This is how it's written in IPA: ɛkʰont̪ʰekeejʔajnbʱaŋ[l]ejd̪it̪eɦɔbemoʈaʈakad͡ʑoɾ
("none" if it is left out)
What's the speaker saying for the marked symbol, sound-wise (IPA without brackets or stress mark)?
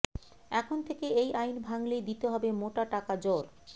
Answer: l